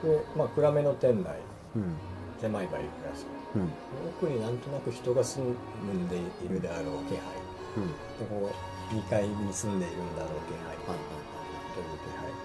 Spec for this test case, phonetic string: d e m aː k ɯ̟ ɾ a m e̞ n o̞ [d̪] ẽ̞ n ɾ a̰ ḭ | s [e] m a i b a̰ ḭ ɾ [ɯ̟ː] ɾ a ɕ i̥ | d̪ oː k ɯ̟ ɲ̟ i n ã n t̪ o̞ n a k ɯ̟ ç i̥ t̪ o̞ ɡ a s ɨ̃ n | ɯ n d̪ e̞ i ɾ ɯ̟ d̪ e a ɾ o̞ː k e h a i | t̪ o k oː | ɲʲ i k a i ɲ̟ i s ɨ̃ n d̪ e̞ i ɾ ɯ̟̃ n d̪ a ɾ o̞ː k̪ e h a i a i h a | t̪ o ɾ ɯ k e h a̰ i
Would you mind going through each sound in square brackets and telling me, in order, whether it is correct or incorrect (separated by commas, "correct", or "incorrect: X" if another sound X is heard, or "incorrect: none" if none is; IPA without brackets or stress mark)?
incorrect: t̪, correct, incorrect: ɯ̟